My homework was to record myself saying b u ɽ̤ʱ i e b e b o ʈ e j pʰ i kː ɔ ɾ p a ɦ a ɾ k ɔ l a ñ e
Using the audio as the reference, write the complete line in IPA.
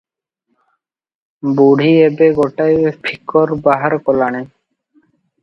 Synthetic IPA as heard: b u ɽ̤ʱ i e b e ɡ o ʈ a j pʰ i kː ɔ ɾ b a ɦ a ɾ k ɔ l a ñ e